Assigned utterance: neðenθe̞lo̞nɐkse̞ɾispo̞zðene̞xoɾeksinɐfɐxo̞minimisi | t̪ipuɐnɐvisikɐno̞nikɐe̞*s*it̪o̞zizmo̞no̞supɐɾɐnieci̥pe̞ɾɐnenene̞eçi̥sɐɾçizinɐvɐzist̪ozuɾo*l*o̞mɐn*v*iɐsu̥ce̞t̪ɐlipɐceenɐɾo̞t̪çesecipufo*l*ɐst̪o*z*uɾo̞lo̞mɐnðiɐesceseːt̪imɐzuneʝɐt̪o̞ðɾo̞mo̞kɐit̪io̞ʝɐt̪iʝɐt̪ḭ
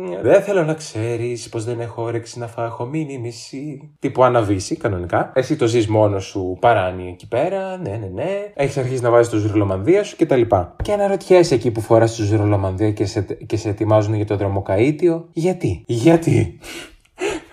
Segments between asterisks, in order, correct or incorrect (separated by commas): correct, correct, incorrect, incorrect, correct